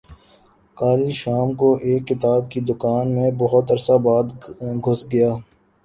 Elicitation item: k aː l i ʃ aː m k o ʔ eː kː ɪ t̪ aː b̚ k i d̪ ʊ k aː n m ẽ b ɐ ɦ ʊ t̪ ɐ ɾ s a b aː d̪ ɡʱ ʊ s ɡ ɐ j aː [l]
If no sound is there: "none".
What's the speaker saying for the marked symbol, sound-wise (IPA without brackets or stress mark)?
none